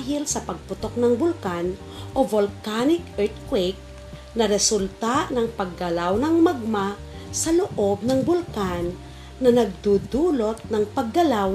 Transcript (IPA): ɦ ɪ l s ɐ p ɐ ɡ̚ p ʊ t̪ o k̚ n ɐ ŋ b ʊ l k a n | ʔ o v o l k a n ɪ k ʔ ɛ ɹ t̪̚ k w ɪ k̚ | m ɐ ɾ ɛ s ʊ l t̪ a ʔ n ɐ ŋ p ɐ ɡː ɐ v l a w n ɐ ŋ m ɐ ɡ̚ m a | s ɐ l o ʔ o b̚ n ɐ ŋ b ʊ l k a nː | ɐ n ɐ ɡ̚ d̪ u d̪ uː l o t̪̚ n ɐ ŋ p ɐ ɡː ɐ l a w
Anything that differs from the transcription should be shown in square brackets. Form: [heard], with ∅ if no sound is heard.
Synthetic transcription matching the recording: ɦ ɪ l s ɐ p ɐ ɡ̚ p ʊ t̪ o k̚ n ɐ ŋ b ʊ l k a n | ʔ o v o l k a n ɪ k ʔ ɛ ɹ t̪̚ k w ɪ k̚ | [n] ɐ ɾ ɛ s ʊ l t̪ a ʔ n ɐ ŋ p ɐ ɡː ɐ [∅] l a w n ɐ ŋ m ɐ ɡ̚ m a | s ɐ l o ʔ o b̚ n ɐ ŋ b ʊ l k a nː | ɐ n ɐ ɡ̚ d̪ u d̪ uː l o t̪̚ n ɐ ŋ p ɐ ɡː ɐ l a w